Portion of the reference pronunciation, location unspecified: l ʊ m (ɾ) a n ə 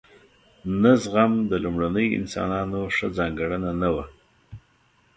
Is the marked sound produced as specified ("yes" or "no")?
no